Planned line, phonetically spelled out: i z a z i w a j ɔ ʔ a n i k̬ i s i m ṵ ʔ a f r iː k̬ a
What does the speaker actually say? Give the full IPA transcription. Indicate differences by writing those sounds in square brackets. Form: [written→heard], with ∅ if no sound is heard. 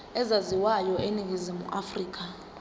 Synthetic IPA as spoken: [i→ɛ] z a z i w a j ɔ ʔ [a→e] n i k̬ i [s→z] i m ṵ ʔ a f r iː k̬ a